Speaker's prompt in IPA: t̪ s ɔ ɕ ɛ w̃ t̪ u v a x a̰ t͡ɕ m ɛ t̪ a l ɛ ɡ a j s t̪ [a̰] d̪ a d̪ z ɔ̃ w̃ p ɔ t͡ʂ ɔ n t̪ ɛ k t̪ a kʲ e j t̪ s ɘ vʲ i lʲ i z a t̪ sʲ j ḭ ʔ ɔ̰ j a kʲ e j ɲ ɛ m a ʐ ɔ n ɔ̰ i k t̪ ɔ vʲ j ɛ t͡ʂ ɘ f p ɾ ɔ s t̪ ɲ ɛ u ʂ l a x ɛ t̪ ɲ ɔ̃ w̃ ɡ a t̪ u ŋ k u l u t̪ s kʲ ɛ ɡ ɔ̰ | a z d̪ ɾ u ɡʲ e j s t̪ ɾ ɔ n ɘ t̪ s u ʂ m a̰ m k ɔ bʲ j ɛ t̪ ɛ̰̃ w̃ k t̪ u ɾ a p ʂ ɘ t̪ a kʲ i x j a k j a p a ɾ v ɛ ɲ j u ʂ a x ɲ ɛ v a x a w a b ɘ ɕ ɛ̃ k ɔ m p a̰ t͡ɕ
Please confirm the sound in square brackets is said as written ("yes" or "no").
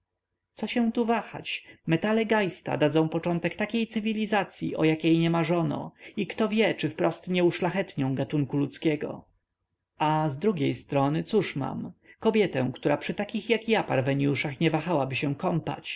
yes